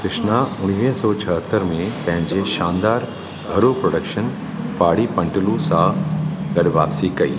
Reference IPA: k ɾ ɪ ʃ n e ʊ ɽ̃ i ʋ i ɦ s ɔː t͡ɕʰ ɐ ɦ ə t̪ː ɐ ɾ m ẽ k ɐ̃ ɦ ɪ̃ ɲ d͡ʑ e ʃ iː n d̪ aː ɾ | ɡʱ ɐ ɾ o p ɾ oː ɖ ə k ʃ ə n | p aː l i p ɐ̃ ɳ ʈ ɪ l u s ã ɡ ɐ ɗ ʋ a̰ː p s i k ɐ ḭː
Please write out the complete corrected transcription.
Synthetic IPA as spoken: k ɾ ɪ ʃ n a ʊ ɽ̃ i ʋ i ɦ s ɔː t͡ɕʰ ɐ ɦ ə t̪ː ə ɾ m ẽ p ɐ̃ ɦ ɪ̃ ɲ d͡ʑ e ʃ aː n d̪ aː ɾ | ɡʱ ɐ ɾ o p ɾ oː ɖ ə k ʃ ə n | p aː ɽ i p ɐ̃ ɳ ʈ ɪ l u s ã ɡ ɐ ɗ ʋ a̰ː p s i k ɐ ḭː